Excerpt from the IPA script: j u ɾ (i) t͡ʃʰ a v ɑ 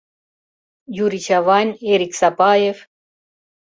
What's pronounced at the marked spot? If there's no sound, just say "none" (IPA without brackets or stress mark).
i